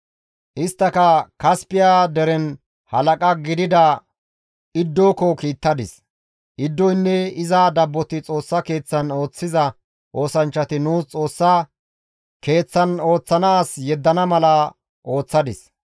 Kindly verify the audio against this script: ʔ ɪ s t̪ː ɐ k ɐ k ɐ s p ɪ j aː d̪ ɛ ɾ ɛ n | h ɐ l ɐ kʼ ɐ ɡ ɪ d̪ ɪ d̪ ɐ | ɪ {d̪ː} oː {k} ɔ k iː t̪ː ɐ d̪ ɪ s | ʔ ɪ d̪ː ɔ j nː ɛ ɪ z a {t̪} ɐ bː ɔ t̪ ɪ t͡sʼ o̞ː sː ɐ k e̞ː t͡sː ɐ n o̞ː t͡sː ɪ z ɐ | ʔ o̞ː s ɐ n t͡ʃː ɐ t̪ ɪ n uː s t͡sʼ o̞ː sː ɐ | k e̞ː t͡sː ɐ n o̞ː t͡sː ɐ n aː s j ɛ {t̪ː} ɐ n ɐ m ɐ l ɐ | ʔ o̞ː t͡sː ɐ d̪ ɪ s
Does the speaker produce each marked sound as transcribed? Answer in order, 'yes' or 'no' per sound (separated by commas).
yes, yes, no, no